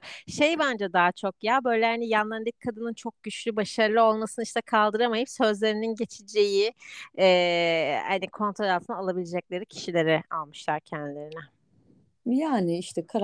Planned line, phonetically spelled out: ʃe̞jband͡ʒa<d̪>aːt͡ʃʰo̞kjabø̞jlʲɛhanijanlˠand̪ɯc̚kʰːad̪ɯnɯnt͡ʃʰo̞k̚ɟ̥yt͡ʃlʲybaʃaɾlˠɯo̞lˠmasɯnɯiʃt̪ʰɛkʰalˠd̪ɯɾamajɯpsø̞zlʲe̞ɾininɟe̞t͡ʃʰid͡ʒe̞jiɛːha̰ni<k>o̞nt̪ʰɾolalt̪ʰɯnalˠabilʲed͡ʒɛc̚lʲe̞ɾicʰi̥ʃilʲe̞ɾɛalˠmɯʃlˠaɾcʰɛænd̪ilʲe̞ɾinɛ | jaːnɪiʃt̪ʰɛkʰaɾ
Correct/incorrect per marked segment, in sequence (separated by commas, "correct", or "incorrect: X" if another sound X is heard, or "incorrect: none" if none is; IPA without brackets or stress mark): correct, incorrect: kʰ